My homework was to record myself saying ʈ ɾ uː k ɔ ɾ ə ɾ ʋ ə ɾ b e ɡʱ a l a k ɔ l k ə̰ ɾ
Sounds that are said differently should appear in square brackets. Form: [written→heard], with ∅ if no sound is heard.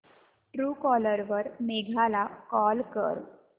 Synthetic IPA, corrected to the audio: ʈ ɾ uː k ɔ [ɾ→l] ə ɾ ʋ ə ɾ [b→m] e ɡʱ a l a k ɔ l k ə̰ ɾ